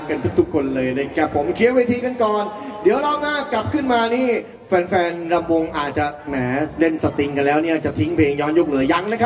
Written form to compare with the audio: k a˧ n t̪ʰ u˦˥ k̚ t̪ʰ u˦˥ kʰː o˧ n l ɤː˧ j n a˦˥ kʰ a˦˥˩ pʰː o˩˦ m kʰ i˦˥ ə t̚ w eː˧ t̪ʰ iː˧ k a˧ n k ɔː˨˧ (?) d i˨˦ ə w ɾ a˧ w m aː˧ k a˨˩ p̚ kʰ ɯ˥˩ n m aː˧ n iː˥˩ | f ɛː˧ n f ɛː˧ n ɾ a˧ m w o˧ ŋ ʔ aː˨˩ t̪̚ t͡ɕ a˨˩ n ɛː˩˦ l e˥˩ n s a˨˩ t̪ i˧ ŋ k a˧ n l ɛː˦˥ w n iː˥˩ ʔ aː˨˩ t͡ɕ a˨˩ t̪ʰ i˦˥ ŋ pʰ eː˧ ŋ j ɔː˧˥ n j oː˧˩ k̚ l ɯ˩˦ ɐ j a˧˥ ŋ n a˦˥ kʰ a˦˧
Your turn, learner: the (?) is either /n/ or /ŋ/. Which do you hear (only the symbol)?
n